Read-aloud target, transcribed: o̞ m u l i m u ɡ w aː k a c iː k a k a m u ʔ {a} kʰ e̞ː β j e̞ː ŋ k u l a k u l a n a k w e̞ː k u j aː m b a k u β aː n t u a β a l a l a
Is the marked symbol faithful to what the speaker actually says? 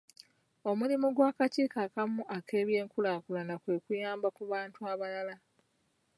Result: yes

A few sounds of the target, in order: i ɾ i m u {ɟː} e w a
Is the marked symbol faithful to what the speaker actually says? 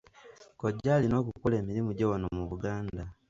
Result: no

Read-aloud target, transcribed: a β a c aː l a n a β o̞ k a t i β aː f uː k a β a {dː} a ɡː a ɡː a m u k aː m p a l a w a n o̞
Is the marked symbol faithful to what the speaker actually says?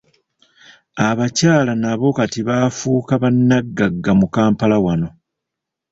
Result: no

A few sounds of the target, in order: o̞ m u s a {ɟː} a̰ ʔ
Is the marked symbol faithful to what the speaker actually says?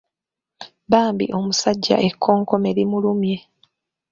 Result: yes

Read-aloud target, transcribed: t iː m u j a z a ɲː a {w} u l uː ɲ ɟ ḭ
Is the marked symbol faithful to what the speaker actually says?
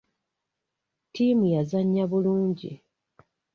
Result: no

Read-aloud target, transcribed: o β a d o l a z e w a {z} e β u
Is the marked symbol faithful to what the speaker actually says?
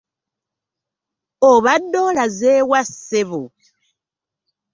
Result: no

